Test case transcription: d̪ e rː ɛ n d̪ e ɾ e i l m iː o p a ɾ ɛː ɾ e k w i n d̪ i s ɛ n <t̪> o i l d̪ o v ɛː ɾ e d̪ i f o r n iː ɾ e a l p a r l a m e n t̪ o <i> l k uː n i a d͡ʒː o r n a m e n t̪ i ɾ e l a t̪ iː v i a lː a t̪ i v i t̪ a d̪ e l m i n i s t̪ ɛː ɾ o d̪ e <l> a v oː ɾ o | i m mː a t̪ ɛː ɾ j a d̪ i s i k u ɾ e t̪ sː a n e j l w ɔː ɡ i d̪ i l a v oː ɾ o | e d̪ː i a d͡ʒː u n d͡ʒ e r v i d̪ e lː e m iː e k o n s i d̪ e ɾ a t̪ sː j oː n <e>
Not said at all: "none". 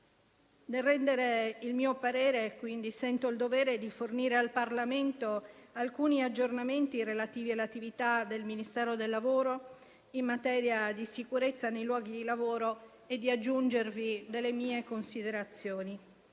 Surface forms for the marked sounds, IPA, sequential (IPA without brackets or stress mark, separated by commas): t̪, a, lː, i